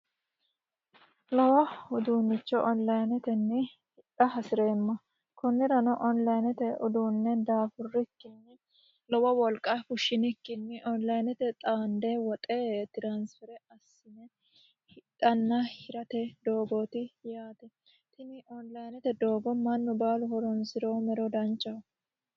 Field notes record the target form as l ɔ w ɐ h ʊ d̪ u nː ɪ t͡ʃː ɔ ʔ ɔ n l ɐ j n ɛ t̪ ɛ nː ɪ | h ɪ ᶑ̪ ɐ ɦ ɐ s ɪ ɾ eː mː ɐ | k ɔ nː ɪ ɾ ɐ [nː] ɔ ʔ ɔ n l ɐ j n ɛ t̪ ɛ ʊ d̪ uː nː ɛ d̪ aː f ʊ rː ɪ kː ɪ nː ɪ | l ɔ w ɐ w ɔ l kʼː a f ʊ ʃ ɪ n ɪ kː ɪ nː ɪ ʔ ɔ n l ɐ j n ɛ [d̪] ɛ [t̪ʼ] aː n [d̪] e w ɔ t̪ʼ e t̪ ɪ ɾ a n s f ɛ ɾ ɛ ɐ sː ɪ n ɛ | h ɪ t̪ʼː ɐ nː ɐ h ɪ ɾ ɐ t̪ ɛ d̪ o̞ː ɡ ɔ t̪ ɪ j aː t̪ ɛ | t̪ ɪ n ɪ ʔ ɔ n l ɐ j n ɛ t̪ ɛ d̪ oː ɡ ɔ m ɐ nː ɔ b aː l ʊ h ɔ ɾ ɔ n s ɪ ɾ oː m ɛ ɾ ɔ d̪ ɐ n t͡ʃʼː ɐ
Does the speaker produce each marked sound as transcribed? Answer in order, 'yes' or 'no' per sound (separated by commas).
no, no, yes, yes